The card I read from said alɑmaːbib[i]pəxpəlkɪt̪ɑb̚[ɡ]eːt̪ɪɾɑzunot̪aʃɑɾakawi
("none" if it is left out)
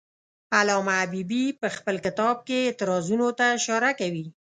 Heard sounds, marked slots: i, k

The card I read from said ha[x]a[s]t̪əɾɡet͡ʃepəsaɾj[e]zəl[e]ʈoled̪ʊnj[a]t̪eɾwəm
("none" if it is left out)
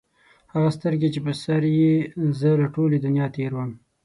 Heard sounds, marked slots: ɣ, s, e, a, ɑ

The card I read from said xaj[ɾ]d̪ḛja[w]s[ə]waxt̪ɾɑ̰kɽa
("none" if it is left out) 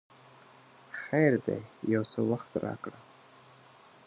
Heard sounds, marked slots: ɾ, w, ə

